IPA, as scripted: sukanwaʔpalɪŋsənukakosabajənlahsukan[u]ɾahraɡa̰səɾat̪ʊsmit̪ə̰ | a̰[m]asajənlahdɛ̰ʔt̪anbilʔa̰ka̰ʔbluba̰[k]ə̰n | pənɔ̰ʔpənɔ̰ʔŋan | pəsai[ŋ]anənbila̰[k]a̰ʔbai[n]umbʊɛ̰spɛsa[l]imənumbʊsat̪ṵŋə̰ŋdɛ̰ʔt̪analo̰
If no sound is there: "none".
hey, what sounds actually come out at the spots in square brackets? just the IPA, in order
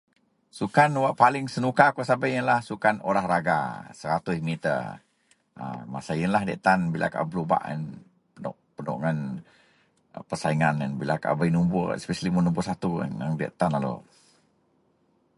o, m, ʔ, ŋ, k, n, l

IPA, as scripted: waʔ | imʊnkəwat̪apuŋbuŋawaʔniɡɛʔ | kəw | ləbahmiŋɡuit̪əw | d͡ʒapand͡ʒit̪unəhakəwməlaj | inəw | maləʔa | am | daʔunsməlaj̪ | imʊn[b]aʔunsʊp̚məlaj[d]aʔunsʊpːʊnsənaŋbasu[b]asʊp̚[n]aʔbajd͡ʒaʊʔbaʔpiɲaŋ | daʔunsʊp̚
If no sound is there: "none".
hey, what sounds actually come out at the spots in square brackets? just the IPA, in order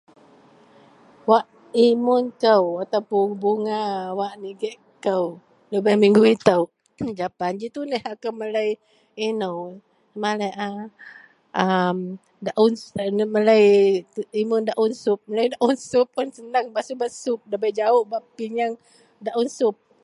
d, d, b, d

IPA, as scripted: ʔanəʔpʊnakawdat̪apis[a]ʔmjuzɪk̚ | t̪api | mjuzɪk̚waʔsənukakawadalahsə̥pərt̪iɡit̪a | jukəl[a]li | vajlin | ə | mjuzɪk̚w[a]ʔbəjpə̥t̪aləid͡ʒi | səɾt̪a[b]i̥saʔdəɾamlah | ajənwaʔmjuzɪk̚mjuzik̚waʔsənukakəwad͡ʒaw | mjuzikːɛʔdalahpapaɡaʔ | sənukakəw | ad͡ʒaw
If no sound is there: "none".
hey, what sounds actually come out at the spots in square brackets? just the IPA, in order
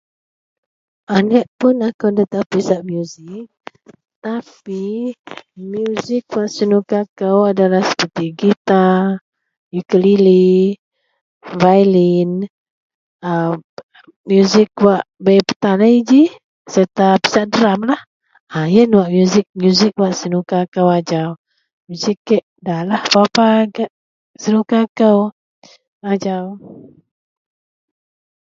a, i, a, p

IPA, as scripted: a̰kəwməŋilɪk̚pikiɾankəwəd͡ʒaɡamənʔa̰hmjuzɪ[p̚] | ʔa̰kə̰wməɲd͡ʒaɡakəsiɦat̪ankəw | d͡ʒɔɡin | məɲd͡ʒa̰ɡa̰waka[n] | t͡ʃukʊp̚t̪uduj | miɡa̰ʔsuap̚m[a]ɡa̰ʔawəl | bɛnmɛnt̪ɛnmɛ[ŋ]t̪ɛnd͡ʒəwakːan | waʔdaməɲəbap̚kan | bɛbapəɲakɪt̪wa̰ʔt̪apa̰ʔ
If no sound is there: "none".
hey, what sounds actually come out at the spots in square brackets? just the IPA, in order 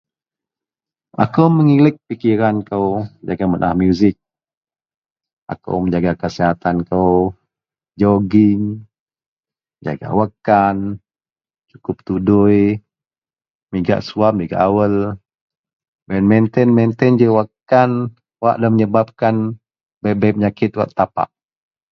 k̚, n, i, n

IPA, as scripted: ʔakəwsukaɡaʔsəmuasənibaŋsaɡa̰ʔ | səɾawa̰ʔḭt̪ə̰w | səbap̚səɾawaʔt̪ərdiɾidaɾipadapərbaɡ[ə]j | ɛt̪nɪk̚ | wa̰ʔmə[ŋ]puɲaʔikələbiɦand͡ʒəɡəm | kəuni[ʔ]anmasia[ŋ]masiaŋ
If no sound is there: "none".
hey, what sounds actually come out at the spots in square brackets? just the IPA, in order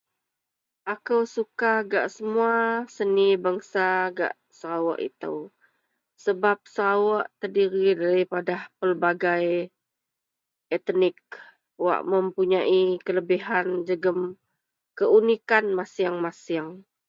a, m, k, ŋ

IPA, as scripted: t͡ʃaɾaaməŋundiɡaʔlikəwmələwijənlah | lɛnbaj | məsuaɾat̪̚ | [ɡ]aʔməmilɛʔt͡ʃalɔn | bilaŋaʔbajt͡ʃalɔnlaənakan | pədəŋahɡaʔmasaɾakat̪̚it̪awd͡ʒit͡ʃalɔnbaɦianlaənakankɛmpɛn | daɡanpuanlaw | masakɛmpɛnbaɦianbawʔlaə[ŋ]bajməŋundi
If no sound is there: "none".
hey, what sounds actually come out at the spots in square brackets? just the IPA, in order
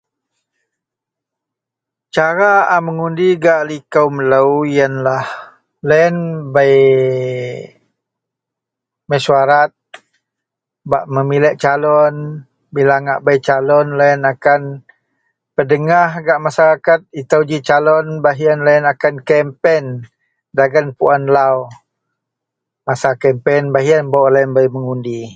b, n

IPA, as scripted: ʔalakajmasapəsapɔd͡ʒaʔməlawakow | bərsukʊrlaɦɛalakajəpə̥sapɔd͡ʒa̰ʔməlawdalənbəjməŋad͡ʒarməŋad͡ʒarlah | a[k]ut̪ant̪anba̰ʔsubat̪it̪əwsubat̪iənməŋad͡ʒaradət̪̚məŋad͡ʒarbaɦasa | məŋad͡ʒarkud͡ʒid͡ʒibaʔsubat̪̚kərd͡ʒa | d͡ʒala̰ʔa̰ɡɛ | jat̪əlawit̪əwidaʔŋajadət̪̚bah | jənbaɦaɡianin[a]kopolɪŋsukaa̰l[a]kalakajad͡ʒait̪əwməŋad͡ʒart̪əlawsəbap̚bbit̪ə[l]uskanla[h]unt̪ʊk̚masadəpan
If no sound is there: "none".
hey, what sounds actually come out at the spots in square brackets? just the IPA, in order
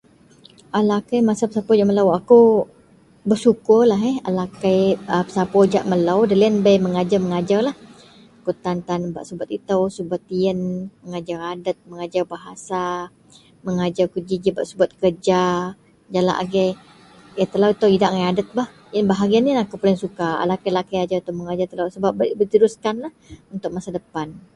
k, a, a, ɾ, h

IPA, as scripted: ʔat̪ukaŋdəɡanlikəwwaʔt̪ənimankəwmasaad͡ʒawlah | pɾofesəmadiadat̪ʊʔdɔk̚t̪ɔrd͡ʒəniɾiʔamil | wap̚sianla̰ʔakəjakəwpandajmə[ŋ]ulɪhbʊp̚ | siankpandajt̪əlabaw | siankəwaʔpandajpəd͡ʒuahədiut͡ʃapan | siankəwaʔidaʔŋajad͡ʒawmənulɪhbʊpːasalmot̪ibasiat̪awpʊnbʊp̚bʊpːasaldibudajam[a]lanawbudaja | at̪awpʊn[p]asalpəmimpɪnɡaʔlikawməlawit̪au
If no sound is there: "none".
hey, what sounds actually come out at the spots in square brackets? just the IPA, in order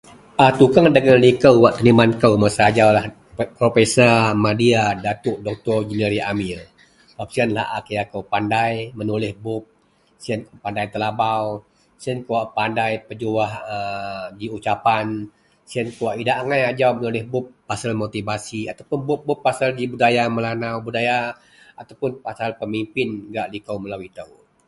n, ə, p

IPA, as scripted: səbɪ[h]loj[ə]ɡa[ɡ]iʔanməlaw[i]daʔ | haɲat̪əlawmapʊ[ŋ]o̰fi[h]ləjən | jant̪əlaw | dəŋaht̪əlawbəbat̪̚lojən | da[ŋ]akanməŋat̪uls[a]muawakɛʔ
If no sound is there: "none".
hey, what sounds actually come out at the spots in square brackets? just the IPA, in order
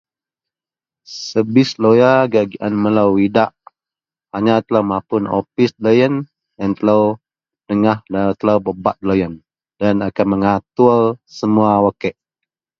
s, a, ɡ, i, n, s, n, ə

